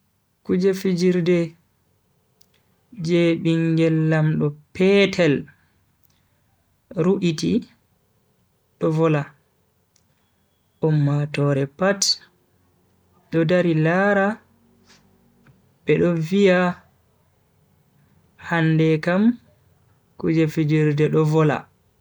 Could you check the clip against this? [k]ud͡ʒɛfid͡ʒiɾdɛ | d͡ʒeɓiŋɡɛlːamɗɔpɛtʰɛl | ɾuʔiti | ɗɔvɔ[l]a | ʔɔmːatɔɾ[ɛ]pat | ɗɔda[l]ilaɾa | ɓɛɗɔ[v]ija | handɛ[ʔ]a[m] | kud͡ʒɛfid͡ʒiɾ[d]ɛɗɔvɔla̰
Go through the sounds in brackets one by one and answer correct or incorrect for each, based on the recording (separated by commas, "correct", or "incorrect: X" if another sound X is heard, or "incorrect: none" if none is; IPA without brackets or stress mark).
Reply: correct, correct, correct, incorrect: ɾ, correct, incorrect: k, correct, correct